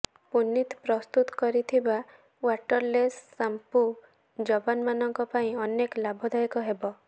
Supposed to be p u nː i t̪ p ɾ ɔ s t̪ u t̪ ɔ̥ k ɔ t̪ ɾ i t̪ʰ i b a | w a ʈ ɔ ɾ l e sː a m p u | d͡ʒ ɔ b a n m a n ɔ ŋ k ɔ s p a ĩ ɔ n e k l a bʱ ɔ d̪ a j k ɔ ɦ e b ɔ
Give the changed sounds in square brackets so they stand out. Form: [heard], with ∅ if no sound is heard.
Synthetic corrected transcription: p u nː i t̪ p ɾ ɔ s t̪ u t̪ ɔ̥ k ɔ [∅] ɾ i t̪ʰ i b a | w a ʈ ɔ ɾ l e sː a m p u | d͡ʒ ɔ b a n m a n ɔ ŋ k ɔ [∅] p a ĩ ɔ n e k l a bʱ ɔ d̪ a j k ɔ ɦ e b ɔ

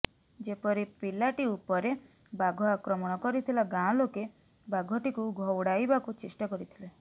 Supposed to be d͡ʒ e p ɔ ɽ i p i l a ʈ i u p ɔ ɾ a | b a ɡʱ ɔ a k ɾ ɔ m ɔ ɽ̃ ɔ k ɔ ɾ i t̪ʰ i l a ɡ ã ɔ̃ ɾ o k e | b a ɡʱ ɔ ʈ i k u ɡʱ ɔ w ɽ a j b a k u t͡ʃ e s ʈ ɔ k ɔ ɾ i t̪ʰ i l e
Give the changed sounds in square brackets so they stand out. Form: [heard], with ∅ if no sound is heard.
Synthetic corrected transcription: d͡ʒ e p ɔ [ɾ] i p i l a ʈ i u p ɔ ɾ [e] | b a ɡʱ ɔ a k ɾ ɔ m ɔ ɽ̃ ɔ k ɔ ɾ i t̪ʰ i l a ɡ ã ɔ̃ [l] o k e | b a ɡʱ ɔ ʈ i k u ɡʱ ɔ w ɽ a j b a k u t͡ʃ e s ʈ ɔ k ɔ ɾ i t̪ʰ i l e

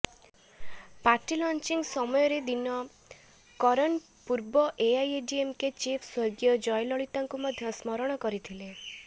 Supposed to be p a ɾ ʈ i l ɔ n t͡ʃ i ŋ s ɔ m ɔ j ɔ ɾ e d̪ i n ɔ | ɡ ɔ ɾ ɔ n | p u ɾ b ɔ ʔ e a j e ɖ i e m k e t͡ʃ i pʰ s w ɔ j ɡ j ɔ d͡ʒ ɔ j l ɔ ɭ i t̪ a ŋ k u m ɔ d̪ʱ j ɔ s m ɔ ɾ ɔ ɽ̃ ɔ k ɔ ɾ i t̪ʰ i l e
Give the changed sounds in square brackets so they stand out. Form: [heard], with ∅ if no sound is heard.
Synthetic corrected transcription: p a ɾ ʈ i l ɔ n t͡ʃ i ŋ s ɔ m ɔ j ɔ ɾ e d̪ i n ɔ | [k] ɔ ɾ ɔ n | p u ɾ b ɔ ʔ e a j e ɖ i e m k e t͡ʃ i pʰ s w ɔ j ɡ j ɔ d͡ʒ ɔ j l ɔ ɭ i t̪ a ŋ k u m ɔ d̪ʱ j ɔ s m ɔ ɾ ɔ ɽ̃ ɔ k ɔ ɾ i t̪ʰ i l e

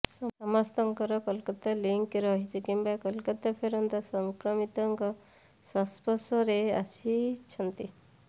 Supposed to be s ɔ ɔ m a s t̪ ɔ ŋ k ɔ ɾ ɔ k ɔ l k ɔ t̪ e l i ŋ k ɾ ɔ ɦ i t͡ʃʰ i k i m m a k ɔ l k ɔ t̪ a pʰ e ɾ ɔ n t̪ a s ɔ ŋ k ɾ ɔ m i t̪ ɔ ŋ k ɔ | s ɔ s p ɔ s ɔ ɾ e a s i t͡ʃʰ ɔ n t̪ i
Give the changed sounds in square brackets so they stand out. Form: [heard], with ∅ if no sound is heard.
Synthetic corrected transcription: s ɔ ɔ m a s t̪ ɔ ŋ k ɔ ɾ ɔ k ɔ l k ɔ t̪ [a] l i ŋ k ɾ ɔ ɦ i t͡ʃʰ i k i m [b] a k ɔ l k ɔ t̪ a pʰ e ɾ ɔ n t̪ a s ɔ ŋ k ɾ ɔ m i t̪ ɔ ŋ k ɔ | s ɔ s p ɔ s ɔ ɾ e a s i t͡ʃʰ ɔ n t̪ i

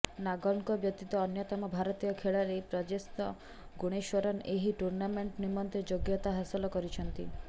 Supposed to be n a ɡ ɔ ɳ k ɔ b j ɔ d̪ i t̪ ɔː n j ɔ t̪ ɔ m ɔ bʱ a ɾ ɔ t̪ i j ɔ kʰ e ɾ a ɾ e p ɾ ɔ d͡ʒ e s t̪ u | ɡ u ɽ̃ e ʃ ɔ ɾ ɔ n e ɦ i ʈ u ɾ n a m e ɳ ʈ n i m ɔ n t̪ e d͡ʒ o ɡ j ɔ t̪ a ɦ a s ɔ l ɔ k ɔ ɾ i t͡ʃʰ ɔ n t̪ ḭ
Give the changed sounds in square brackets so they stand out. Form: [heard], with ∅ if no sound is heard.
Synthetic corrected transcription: n a ɡ ɔ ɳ k ɔ b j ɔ [t̪] i t̪ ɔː n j ɔ t̪ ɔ m ɔ bʱ a ɾ ɔ t̪ i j ɔ kʰ e [ɭ] a ɾ e p ɾ ɔ d͡ʒ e s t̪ [ɔ] | ɡ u ɽ̃ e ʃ ɔ ɾ ɔ n e ɦ i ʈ u ɾ n a m e ɳ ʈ n i m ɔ n t̪ e d͡ʒ o ɡ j ɔ t̪ a ɦ a s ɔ l ɔ k ɔ ɾ i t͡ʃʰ ɔ n t̪ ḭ

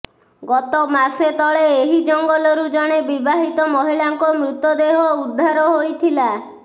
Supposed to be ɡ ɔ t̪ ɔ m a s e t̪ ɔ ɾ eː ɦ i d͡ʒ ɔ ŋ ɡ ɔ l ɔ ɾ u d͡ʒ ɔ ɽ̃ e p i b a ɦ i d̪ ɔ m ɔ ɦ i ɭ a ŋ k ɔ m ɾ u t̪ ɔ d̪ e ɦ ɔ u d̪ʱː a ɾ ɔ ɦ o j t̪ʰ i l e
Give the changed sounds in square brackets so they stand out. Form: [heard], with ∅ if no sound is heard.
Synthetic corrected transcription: ɡ ɔ t̪ ɔ m a s e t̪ ɔ [ɭ] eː ɦ i d͡ʒ ɔ ŋ ɡ ɔ l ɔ ɾ u d͡ʒ ɔ ɽ̃ e [b] i b a ɦ i [t̪] ɔ m ɔ ɦ i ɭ a ŋ k ɔ m ɾ u t̪ ɔ d̪ e ɦ ɔ u d̪ʱː a ɾ ɔ ɦ o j t̪ʰ i l [a]

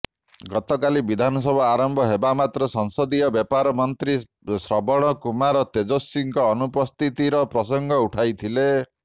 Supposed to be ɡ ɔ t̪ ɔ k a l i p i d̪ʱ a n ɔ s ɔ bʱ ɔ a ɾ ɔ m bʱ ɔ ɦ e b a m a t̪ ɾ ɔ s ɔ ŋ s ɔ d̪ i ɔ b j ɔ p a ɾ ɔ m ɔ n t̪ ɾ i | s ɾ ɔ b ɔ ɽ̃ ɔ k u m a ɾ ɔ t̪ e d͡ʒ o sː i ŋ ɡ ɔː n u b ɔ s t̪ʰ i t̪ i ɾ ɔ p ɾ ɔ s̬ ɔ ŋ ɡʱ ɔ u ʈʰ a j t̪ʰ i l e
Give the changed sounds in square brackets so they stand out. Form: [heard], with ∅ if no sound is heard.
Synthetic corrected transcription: ɡ ɔ t̪ ɔ k a l i [b] i d̪ʱ a n ɔ s ɔ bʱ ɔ a ɾ ɔ m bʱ ɔ ɦ e b a m a t̪ ɾ ɔ s ɔ ŋ s ɔ d̪ i ɔ b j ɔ p a ɾ ɔ m ɔ n t̪ ɾ i | s ɾ ɔ b ɔ ɽ̃ ɔ k u m a ɾ ɔ t̪ e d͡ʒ o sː i ŋ [k] ɔː n u [p] ɔ s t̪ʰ i t̪ i ɾ ɔ p ɾ ɔ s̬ ɔ ŋ ɡʱ ɔ u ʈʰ a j t̪ʰ i l e

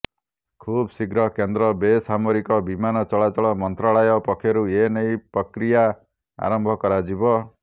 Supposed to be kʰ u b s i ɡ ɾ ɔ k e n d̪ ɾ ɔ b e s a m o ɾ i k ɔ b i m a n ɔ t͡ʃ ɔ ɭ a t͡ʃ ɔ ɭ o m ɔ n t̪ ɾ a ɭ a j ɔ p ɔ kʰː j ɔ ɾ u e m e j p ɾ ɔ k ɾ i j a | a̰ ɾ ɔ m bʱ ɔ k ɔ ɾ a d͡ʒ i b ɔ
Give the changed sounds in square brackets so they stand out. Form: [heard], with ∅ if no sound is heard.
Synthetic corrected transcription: kʰ u b s i ɡ ɾ ɔ k e n d̪ ɾ ɔ b e s a m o ɾ i k ɔ b i m a n ɔ t͡ʃ ɔ ɭ a t͡ʃ ɔ ɭ [ɔ] m ɔ n t̪ ɾ a ɭ a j ɔ p ɔ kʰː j ɔ ɾ u e [n] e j p ɾ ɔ k ɾ i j a | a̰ ɾ ɔ m bʱ ɔ k ɔ ɾ a d͡ʒ i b ɔ

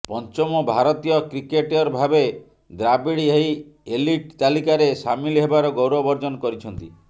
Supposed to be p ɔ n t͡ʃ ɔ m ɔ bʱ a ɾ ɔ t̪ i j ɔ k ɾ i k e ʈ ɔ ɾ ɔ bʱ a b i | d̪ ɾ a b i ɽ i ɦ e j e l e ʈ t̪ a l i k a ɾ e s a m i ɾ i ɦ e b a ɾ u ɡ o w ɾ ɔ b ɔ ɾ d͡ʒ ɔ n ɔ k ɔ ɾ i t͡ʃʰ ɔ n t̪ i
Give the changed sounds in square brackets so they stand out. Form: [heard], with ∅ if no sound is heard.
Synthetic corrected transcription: p ɔ n t͡ʃ ɔ m ɔ bʱ a ɾ ɔ t̪ i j ɔ k ɾ i k e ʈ ɔ ɾ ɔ bʱ a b [e] | d̪ ɾ a b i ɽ i ɦ e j e l [i] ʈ t̪ a l i k a ɾ e s a m i [l] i ɦ e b a ɾ [ɔ] ɡ o w ɾ ɔ b ɔ ɾ d͡ʒ ɔ n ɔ k ɔ ɾ i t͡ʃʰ ɔ n t̪ i

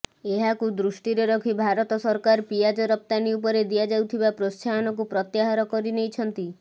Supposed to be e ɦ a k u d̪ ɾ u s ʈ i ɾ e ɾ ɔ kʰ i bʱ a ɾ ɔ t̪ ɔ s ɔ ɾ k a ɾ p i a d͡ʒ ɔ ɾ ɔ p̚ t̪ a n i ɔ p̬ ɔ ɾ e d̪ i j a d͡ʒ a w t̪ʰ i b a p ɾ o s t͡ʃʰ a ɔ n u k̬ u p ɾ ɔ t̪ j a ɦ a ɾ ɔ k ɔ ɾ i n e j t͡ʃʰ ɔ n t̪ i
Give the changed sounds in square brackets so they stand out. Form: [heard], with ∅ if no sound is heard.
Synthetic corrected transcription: e ɦ a k u d̪ ɾ u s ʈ i ɾ e ɾ ɔ kʰ i bʱ a ɾ ɔ t̪ ɔ s ɔ ɾ k a ɾ p i a d͡ʒ ɔ ɾ ɔ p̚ t̪ a n i [u] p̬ ɔ ɾ e d̪ i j a d͡ʒ a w t̪ʰ i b a p ɾ o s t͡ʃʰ a ɔ n [ɔ] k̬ u p ɾ ɔ t̪ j a ɦ a ɾ ɔ k ɔ ɾ i n e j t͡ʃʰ ɔ n t̪ i

